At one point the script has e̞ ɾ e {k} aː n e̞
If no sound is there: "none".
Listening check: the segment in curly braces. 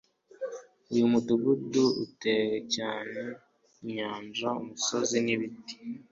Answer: c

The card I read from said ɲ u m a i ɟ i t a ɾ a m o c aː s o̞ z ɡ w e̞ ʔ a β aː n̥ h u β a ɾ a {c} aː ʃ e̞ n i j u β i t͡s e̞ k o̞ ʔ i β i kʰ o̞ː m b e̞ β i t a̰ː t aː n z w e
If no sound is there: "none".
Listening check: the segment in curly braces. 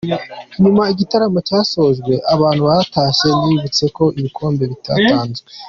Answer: t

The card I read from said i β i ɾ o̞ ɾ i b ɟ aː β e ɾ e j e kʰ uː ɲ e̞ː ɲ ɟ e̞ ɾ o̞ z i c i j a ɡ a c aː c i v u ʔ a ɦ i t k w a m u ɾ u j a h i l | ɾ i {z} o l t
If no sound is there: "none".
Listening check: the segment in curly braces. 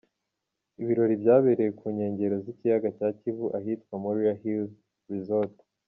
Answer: z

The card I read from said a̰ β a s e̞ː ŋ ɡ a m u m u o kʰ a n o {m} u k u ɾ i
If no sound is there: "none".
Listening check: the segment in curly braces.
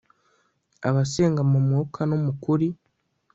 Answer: m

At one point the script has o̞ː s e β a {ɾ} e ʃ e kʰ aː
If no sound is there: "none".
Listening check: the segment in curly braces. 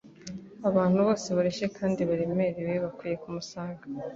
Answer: ɾ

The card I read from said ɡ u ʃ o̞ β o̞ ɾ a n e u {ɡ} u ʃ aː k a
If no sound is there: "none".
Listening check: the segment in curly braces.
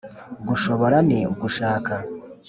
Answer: ɡ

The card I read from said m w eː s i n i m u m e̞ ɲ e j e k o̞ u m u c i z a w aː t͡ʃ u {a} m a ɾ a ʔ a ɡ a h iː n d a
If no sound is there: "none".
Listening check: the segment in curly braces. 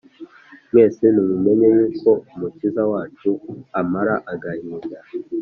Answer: a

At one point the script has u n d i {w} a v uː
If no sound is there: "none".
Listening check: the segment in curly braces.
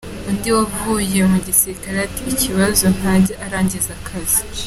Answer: w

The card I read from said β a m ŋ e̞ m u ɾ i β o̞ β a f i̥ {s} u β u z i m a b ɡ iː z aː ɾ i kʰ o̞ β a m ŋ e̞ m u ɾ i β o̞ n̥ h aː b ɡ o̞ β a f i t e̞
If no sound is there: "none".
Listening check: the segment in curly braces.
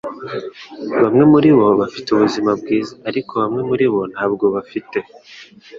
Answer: t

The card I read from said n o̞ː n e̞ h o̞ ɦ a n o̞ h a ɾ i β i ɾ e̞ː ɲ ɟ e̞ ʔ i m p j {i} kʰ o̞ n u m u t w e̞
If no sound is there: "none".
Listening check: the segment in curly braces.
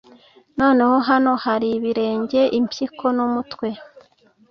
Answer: i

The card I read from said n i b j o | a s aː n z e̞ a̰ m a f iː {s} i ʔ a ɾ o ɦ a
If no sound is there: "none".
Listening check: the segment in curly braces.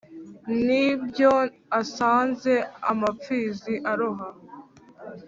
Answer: z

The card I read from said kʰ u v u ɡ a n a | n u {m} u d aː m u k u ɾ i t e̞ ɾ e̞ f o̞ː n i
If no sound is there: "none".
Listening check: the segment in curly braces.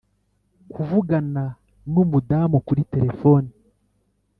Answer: m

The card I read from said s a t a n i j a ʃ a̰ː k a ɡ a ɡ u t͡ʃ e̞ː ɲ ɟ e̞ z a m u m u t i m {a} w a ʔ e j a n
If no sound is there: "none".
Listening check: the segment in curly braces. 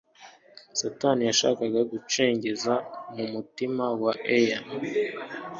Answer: a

